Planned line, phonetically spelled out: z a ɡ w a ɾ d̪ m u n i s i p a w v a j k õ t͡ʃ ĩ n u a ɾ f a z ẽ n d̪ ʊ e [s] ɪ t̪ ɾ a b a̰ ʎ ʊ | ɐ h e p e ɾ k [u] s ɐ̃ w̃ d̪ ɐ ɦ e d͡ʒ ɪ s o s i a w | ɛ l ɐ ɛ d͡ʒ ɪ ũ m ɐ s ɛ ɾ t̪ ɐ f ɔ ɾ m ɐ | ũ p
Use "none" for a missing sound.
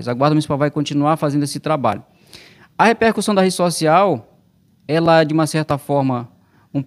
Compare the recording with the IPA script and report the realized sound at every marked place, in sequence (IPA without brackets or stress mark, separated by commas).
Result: s, u